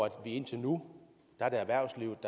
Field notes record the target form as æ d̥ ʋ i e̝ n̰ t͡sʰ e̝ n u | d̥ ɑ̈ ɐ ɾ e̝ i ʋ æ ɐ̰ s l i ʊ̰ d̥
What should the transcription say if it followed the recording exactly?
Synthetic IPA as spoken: æ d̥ ʋ i e̝ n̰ t͡sʰ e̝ n u | d̥ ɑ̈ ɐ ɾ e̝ æ ʋ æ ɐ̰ s l i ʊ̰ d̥